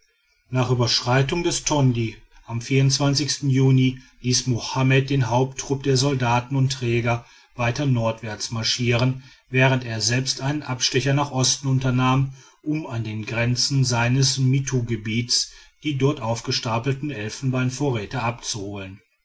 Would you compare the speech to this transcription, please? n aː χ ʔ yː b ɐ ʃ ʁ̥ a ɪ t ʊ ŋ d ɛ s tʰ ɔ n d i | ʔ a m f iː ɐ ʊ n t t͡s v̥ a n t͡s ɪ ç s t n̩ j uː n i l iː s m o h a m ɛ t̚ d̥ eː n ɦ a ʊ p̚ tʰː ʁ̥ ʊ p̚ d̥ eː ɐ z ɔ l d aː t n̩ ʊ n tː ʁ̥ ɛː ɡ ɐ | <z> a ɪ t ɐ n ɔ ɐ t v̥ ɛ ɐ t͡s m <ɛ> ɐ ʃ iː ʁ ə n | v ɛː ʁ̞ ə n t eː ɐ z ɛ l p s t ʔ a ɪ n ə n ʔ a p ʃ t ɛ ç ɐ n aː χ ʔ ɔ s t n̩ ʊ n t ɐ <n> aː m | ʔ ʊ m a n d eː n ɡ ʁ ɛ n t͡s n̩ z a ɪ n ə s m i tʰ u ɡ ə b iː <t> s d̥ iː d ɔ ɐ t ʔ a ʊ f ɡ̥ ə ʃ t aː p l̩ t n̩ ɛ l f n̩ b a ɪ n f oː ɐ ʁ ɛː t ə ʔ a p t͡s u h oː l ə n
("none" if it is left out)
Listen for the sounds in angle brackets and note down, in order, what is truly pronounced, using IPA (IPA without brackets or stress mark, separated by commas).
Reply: v, a, n, t